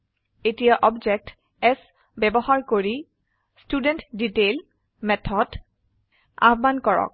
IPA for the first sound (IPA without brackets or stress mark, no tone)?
e